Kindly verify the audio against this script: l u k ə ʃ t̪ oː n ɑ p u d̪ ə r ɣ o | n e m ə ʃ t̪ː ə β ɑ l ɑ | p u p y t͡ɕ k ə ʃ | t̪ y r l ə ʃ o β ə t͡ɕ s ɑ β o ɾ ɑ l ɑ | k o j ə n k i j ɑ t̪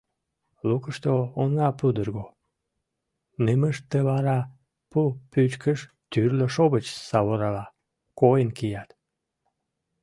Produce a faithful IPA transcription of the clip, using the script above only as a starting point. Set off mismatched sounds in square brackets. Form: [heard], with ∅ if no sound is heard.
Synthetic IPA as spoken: l u k ə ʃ t̪ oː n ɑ p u d̪ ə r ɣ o | n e m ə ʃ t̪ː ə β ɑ [ɾ] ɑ | p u p y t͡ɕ k ə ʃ | t̪ y r l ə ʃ o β ə t͡ɕ s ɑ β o ɾ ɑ l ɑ | k o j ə n k i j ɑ t̪